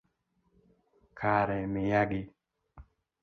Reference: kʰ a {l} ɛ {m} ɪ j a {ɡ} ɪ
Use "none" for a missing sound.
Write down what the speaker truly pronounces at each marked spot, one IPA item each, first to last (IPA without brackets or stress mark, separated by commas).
ɾ, m, ɡ